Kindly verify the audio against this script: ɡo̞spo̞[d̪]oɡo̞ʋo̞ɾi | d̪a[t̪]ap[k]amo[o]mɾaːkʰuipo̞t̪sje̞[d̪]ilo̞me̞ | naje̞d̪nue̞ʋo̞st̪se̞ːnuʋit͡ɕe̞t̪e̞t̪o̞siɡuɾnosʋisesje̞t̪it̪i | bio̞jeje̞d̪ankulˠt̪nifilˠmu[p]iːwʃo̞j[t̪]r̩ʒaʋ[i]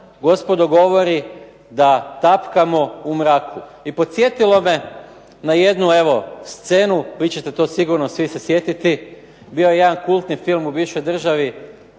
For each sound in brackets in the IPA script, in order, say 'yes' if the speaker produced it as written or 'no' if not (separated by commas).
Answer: yes, yes, yes, no, no, no, no, yes